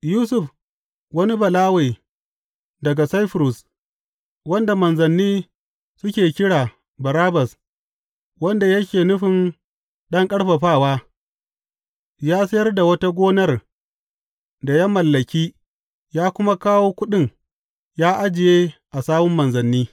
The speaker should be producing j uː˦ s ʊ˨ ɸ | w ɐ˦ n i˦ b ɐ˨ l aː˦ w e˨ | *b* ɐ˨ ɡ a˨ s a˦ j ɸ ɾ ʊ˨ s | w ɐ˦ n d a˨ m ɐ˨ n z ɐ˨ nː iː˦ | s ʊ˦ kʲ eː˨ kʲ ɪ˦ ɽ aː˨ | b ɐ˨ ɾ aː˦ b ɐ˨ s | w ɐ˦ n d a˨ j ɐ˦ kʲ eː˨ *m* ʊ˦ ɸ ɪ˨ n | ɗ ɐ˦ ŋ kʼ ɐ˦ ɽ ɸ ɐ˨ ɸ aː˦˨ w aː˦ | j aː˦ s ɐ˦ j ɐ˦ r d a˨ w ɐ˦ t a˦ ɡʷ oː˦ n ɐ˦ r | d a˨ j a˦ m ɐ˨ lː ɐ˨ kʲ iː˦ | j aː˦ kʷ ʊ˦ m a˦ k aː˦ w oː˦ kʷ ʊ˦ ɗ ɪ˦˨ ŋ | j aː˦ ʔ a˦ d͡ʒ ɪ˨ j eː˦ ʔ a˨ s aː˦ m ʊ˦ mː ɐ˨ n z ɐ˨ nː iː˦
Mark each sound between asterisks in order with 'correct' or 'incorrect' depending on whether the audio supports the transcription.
incorrect: d, incorrect: n

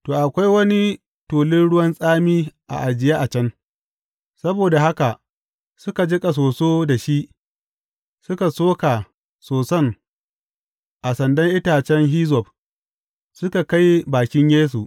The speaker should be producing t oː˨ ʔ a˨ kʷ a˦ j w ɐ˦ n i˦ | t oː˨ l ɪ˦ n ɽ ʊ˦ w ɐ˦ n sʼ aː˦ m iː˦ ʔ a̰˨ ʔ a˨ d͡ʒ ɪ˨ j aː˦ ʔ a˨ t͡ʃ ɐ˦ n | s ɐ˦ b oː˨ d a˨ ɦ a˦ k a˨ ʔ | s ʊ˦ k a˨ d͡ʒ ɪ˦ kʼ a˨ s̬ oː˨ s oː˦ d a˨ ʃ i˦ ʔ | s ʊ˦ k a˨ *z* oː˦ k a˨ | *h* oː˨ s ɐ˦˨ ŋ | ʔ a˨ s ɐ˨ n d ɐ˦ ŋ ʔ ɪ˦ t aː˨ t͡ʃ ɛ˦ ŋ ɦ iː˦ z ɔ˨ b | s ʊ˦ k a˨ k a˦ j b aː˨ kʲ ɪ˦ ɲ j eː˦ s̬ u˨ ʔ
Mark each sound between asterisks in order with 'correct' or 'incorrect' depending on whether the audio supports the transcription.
incorrect: s, incorrect: s

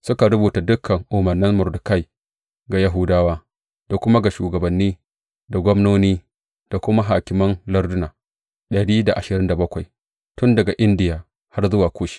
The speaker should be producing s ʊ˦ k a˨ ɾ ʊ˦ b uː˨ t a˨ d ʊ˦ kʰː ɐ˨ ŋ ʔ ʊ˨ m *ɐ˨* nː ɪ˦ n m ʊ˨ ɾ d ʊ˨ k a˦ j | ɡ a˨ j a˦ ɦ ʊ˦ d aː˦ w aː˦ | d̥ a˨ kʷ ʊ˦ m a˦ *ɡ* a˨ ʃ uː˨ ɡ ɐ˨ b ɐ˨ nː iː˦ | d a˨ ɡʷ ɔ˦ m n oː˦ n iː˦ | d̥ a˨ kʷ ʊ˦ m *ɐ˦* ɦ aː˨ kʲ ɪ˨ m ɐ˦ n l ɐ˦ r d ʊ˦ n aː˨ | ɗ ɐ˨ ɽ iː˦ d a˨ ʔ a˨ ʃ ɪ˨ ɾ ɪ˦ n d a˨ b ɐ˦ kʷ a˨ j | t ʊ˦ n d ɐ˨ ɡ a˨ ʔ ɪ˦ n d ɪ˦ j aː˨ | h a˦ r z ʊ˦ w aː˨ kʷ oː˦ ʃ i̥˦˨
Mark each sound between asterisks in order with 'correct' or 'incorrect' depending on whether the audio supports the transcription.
correct, correct, incorrect: a˦

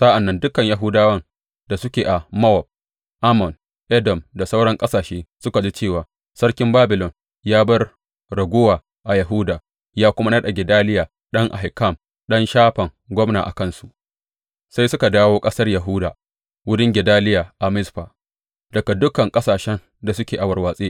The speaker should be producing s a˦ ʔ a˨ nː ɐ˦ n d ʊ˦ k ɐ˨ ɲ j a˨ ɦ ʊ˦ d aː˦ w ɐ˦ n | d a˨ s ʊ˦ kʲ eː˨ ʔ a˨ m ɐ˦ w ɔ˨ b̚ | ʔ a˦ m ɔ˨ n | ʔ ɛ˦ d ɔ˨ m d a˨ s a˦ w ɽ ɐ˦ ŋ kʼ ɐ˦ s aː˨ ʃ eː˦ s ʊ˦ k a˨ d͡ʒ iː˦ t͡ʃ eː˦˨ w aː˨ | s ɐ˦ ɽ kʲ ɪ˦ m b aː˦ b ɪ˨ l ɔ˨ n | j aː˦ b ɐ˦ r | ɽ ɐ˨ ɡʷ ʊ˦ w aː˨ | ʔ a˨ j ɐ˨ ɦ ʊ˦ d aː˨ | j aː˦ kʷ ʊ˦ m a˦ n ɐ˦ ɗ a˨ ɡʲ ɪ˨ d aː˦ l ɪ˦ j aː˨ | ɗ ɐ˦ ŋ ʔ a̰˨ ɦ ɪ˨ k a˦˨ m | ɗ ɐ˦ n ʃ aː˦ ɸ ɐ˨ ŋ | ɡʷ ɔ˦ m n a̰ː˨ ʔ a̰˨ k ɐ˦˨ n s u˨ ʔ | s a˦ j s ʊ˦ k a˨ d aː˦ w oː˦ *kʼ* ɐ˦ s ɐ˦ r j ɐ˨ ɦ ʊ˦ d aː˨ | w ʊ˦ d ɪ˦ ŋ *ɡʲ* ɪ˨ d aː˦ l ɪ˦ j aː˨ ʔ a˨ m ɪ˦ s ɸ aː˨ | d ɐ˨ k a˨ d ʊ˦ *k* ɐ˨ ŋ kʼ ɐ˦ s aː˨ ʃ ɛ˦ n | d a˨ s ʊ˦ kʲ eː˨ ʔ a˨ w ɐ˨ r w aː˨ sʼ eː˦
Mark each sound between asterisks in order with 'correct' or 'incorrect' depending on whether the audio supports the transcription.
correct, correct, correct

